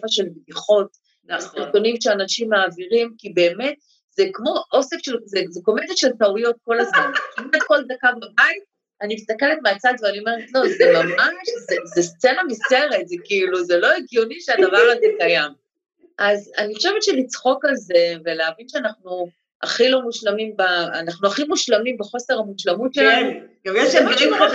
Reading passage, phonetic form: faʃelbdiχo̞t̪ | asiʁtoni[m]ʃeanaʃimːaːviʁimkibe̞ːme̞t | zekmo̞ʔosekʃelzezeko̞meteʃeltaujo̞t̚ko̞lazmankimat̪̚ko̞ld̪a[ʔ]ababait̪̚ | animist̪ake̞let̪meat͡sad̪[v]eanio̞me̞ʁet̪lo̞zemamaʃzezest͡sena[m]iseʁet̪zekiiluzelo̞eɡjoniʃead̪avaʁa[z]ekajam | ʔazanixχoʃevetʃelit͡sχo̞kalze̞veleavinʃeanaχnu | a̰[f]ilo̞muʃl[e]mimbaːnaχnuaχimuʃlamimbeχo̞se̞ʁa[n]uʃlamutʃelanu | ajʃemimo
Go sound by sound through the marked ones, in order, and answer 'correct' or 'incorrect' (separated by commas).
correct, incorrect, correct, correct, correct, incorrect, incorrect, incorrect